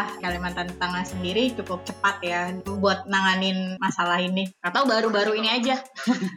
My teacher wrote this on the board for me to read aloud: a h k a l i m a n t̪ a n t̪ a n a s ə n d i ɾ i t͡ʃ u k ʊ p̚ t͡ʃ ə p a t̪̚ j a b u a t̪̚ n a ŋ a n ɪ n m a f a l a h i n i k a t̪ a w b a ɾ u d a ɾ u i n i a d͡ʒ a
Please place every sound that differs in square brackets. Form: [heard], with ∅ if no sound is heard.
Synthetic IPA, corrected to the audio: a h k a l i m a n t̪ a n t̪ a [ŋ] a s ə n d i ɾ i t͡ʃ u k ʊ p̚ t͡ʃ ə p a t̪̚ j a b u a t̪̚ n a ŋ a n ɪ n m a [s] a l a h i n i k a t̪ a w b a ɾ u [b] a ɾ u i n i a d͡ʒ a